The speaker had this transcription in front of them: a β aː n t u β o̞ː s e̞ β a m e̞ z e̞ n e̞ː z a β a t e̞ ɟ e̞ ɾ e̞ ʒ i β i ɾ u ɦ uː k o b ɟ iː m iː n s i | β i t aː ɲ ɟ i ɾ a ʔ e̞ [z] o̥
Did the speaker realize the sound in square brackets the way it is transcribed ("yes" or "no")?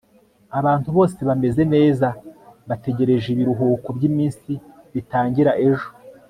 no